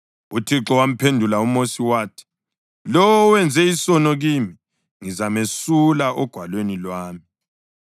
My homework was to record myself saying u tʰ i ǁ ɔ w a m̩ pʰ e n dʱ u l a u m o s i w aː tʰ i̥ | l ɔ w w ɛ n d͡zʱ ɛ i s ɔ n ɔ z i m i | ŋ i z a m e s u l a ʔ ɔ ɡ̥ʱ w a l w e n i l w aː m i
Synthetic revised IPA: u tʰ i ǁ ɔ w a m̩ pʰ e n dʱ u l a u m o s i w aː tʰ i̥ | l ɔ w w ɛ n d͡zʱ ɛ i s ɔ n ɔ ɣ i m i | ŋ i z a m e s u l a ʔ ɔ ɡ̥ʱ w a l w e n i l w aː m i

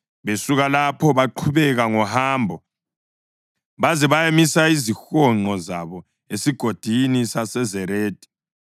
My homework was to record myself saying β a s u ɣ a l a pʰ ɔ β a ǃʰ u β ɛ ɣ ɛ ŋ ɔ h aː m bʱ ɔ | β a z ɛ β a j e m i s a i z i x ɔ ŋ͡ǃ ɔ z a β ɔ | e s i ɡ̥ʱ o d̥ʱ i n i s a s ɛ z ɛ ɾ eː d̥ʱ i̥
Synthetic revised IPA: β e s u ɣ a l a pʰ ɔ β a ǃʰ u β ɛ ɣ a ŋ ɔ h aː m bʱ ɔ | β a z ɛ β a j e m i s a i z i x ɔ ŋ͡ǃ ɔ z a β ɔ | e s i ɡ̥ʱ o d̥ʱ i n i s a s ɛ z ɛ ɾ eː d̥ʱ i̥

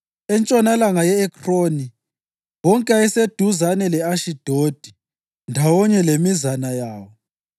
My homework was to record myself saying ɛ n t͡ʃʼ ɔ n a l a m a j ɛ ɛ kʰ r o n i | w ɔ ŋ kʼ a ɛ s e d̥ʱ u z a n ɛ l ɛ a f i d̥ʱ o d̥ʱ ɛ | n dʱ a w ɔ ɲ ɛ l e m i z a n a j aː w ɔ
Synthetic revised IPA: ɛ n t͡ʃʼ ɔ n a l a ŋ a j ɛ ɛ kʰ r o n i | w ɔ ŋ kʼ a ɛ s e d̥ʱ u z a n ɛ l ɛ a ʃ i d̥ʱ o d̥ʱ i | n dʱ a w ɔ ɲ ɛ l e m i z a n a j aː w ɔ

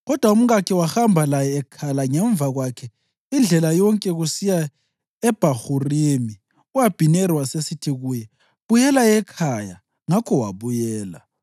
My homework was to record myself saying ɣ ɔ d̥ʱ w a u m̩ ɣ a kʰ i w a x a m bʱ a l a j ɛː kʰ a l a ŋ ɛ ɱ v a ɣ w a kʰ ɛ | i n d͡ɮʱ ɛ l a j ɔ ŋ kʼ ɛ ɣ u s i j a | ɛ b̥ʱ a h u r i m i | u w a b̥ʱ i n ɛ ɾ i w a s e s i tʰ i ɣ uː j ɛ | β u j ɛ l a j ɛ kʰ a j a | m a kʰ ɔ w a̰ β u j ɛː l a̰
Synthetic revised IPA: ɣ ɔ d̥ʱ w a u m̩ ɣ a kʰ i w a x a m bʱ a l a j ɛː kʰ a l a ŋ ɛ ɱ v a ɣ w a kʰ ɛ | i n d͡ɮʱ ɛ l a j ɔ ŋ kʼ ɛ ɣ u s i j a | ɛ b̥ʱ a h u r i m i | u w a b̥ʱ i n ɛ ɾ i w a s e s i tʰ i ɣ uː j ɛ | β u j ɛ l a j ɛ kʰ a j a | ŋ a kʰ ɔ w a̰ β u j ɛː l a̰

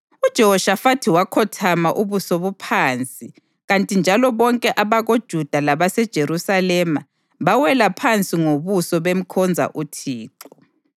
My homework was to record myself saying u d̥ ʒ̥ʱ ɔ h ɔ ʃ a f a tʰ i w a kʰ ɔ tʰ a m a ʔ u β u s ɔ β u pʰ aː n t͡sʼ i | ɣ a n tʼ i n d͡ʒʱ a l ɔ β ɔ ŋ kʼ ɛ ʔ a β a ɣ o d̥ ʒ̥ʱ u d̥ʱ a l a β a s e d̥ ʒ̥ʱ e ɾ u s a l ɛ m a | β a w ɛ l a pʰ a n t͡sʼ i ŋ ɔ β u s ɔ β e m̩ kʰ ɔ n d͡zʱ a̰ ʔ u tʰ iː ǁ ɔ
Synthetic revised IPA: u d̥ ʒ̥ʱ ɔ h ɔ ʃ a f a tʰ i w a kʰ ɔ tʰ a m a ʔ u β u s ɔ β u pʰ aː n t͡sʼ i | ɣ a n tʼ i n d͡ʒʱ a l ɔ β ɔ ŋ kʼ ɛ ʔ a β a ɣ o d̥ ʒ̥ʱ u d̥ʱ a l a β a s ɛ d̥ ʒ̥ʱ e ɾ u s a l ɛ m a | β a w ɛ l a pʰ a n t͡sʼ i ŋ o β u s ɔ β e m̩ kʰ ɔ n d͡zʱ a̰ ʔ u tʰ iː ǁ ɔ

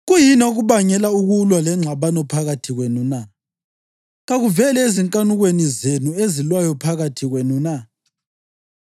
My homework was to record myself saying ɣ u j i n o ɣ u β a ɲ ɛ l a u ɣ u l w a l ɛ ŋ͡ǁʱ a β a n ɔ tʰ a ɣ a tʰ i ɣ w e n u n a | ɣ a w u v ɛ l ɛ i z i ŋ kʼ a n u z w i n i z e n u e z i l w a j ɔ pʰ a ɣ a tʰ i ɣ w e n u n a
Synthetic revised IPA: ɣ u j i n o ɣ u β a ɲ ɛ l a u ɣ u l w a l ɛ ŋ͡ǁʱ a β a n ɔ pʰ a ɣ a tʰ i ɣ w e n u n a | ɣ a ɣ u v ɛ l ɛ e z i ŋ kʼ a n u ɣ w e n i z e n u e z i l w a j ɔ pʰ a ɣ a tʰ i ɣ w e n u n a

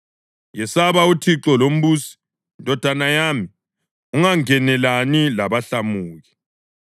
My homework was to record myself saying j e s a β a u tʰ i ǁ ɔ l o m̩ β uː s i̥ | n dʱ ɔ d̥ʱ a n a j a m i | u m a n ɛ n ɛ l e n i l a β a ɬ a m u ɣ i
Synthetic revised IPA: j ɛ s a β a u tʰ i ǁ ɔ l o m̩ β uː s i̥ | n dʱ ɔ d̥ʱ a n a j a m i | u ŋ a ŋ ɛ n ɛ l a n i l a β a ɬ a m uː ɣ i

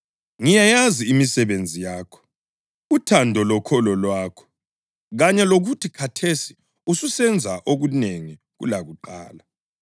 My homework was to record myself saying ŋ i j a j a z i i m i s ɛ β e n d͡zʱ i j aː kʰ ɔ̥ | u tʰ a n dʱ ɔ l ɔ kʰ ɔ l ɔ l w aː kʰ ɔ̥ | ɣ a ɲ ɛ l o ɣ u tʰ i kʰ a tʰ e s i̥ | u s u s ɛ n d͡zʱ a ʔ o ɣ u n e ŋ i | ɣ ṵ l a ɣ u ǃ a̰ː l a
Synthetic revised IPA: ŋ i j a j a z i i m i s ɛ β e n d͡zʱ i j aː kʰ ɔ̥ | u tʰ a n dʱ ɔ l ɔ kʰ ɔ l ɔ l w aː kʰ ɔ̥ | ɣ a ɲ ɛ l o ɣ u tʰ i kʰ a tʰ e s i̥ | u s u s ɛ n d͡zʱ a ʔ o ɣ u n e ŋ i | ɣ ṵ l a ɣ u ǃ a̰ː l a

